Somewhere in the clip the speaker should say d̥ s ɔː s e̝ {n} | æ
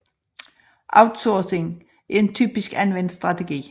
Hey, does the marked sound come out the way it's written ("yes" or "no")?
no